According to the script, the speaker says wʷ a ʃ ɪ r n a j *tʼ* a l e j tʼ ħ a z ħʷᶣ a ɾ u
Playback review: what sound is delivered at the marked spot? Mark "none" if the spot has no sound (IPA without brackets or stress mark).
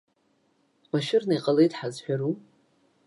qʼ